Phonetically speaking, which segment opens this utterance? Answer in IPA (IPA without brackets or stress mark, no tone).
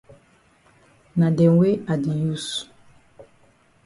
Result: n